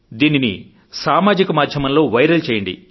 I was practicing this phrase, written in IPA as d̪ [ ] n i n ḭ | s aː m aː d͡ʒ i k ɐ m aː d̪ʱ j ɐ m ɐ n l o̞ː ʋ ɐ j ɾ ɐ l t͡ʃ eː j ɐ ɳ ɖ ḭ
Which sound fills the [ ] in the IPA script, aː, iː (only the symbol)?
iː